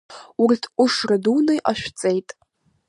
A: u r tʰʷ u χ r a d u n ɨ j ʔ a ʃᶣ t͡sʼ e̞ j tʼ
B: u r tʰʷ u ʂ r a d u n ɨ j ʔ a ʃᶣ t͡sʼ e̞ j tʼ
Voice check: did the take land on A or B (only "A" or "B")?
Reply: B